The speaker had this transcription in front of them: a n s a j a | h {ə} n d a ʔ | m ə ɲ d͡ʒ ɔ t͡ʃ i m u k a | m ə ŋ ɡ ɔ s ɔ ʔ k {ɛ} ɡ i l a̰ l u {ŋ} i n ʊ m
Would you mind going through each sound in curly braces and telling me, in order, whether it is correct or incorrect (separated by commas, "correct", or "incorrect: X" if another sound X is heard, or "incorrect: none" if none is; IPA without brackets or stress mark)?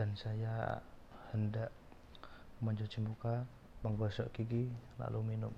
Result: correct, incorrect: i, incorrect: m